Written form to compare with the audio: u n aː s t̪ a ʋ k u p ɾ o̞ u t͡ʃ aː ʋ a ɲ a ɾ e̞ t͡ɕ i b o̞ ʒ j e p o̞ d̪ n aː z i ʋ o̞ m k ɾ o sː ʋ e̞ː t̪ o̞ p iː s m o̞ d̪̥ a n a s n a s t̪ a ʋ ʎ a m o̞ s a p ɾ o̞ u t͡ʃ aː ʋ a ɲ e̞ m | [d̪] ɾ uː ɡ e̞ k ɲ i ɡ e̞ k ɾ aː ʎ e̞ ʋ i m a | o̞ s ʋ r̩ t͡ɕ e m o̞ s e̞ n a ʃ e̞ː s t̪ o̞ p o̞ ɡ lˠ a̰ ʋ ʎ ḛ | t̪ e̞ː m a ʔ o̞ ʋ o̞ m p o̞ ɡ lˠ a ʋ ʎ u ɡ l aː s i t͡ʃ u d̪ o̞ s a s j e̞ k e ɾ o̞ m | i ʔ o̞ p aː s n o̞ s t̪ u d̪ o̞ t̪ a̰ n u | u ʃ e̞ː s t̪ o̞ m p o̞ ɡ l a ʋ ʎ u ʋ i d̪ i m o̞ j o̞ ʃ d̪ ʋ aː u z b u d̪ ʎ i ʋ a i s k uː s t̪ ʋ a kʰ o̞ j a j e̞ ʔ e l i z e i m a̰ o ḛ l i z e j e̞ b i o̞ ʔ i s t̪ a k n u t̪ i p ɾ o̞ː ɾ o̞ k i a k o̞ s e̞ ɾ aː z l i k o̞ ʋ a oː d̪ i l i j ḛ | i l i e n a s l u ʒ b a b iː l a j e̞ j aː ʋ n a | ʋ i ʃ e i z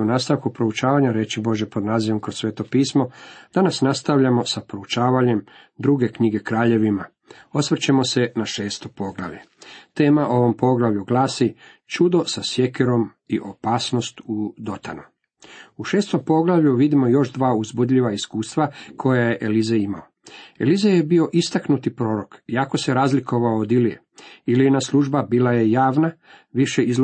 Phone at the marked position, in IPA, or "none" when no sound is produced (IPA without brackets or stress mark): d̪